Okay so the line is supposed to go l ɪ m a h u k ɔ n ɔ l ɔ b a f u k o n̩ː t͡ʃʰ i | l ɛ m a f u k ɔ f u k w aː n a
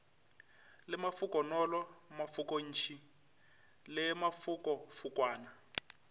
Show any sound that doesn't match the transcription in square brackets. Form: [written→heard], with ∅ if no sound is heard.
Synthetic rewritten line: l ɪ m a [h→f] u k ɔ n ɔ l ɔ [b→m] a f u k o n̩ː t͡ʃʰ i | l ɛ m a f u k ɔ f u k w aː n a